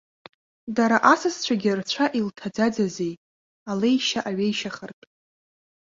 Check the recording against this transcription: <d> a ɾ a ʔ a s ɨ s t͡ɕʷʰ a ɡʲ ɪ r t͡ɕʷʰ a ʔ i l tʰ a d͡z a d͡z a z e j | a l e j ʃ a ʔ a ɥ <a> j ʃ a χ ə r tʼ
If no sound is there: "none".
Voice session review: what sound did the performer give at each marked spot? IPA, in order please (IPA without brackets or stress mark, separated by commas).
d, e